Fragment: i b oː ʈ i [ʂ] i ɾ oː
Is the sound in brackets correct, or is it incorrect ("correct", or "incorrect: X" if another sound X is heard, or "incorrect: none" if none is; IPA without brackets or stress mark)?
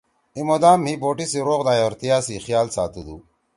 incorrect: s